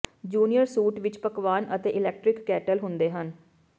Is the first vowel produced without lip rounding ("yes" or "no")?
no